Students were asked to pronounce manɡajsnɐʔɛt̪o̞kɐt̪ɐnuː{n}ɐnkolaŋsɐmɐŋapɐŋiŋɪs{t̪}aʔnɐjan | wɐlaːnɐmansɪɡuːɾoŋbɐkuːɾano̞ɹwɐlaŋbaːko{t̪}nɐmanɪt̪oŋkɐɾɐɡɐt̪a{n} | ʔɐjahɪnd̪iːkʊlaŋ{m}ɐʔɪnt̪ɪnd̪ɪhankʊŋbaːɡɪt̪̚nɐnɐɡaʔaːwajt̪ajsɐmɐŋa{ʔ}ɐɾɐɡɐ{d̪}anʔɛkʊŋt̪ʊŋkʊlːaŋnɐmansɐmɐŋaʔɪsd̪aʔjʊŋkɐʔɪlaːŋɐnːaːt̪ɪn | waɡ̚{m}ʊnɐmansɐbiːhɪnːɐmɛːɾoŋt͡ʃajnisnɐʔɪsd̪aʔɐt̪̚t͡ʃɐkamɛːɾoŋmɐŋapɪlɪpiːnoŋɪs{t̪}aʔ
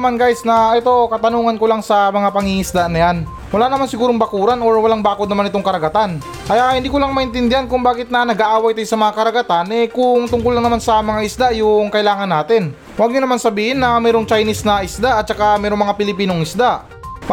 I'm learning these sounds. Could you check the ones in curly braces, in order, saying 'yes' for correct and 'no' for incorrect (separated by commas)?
no, no, no, yes, yes, no, no, no, no